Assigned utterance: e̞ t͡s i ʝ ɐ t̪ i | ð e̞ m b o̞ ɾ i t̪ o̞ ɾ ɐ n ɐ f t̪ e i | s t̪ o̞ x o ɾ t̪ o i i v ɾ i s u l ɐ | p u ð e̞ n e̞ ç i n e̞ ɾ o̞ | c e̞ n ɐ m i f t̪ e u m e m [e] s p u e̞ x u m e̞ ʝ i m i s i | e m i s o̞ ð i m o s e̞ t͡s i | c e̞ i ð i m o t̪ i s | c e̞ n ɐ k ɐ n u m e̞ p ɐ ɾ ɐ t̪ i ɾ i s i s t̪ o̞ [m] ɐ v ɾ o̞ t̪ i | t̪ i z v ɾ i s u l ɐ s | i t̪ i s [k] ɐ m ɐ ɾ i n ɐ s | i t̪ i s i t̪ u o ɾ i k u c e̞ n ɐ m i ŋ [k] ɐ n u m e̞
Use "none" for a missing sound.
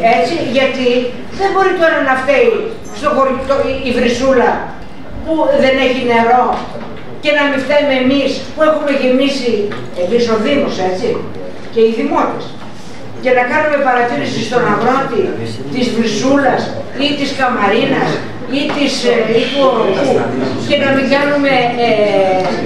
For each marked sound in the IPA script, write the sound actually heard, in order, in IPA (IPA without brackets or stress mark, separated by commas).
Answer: i, n, k, ɡ